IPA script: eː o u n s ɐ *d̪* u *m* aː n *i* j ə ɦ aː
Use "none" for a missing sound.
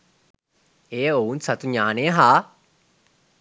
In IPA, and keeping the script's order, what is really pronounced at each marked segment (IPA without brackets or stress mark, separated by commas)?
t̪, ɲ, e